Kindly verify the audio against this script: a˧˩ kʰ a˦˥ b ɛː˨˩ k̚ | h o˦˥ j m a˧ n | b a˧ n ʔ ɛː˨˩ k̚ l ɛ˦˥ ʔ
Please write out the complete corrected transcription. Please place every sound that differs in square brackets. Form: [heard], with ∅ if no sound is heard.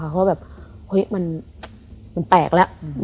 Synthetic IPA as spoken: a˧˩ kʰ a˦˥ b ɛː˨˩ [p̚] | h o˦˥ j m a˧ n | [m] a˧ n [p] ɛː˨˩ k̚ l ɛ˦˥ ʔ